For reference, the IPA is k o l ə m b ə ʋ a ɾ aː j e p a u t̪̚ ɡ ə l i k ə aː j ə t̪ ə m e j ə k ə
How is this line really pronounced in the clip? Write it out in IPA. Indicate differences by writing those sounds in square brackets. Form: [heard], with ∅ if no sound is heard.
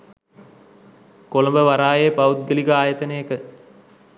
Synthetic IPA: k o l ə m b ə ʋ a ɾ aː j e p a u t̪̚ ɡ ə l i k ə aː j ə t̪ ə [n] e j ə k ə